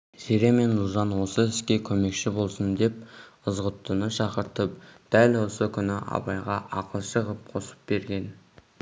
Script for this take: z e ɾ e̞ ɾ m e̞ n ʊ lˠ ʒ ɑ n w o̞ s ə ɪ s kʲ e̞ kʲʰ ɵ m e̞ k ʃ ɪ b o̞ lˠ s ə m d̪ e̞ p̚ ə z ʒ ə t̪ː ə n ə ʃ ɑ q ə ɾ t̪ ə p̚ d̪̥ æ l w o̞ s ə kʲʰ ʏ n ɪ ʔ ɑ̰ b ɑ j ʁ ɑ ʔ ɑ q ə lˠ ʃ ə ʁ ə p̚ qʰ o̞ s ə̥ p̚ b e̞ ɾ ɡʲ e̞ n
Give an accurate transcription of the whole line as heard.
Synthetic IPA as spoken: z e ɾ e̞ m e̞ n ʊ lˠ ʒ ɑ n w o̞ s ə ɪ s kʲ e̞ kʲʰ ɵ m e̞ k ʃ ɪ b o̞ lˠ s ə n d̪ e̞ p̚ ə z ʁ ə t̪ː ə n ə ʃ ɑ q ə ɾ t̪ ə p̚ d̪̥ æ l w o̞ s ə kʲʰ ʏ n ɪ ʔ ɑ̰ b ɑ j ʁ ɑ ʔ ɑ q ə lˠ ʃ ə ʁ ə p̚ qʰ o̞ s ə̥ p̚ b e̞ ɾ ɡʲ e̞ n